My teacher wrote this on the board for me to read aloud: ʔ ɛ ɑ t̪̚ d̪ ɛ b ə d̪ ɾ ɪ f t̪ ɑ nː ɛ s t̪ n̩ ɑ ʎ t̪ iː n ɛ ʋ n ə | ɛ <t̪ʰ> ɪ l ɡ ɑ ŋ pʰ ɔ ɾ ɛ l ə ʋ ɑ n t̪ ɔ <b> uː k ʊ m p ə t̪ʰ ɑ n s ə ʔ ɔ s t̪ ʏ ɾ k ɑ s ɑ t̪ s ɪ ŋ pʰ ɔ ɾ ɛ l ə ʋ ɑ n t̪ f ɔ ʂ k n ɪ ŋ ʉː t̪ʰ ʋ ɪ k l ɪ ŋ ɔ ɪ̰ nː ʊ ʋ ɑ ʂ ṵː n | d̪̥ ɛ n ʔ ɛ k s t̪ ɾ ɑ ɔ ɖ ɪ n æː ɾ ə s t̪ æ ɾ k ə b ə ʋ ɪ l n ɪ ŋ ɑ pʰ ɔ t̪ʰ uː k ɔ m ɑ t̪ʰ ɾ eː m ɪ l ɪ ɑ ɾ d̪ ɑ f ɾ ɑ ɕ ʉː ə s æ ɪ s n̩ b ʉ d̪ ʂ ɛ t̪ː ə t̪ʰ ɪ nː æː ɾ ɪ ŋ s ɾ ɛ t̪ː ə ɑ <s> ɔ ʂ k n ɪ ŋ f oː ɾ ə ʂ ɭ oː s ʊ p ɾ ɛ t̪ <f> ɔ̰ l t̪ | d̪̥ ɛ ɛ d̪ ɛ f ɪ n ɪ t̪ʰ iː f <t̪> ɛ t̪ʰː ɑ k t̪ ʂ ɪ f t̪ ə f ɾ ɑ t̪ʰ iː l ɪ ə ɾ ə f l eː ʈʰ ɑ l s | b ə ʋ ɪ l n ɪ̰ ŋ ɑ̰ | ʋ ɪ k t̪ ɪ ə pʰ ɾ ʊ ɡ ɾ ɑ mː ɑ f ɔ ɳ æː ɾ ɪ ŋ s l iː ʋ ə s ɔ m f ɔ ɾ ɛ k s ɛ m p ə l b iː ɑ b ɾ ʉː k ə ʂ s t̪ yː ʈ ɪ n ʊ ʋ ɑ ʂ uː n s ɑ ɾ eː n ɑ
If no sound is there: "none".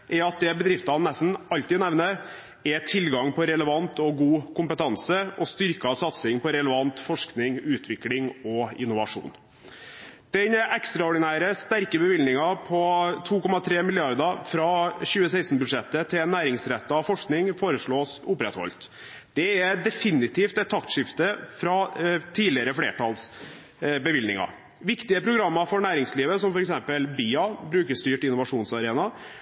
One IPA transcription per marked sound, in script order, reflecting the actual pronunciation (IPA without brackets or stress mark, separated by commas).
t̪ʰ, ɡ, f, h, t̪